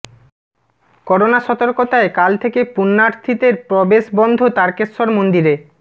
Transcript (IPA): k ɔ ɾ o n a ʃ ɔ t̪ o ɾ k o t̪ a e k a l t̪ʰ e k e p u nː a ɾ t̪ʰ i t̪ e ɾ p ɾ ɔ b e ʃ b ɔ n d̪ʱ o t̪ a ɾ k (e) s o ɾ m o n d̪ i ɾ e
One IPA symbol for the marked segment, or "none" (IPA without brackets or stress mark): e